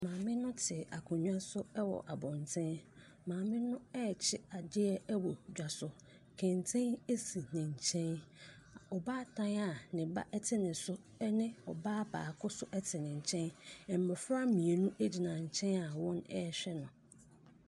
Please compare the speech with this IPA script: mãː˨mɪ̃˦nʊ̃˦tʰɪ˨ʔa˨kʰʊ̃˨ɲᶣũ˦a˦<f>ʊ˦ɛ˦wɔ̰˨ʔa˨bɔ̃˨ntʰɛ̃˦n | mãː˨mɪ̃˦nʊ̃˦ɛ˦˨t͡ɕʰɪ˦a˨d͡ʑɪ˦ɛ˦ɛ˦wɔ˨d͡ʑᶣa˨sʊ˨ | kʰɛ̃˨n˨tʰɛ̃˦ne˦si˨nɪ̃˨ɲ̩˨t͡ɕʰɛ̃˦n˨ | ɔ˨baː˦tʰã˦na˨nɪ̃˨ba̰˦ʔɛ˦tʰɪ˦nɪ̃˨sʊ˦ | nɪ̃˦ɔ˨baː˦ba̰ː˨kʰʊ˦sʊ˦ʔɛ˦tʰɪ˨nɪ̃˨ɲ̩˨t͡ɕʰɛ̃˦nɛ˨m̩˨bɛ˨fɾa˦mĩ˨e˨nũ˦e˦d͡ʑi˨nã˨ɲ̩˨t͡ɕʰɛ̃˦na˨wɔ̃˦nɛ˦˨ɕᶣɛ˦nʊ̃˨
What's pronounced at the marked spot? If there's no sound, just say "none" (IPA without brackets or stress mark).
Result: s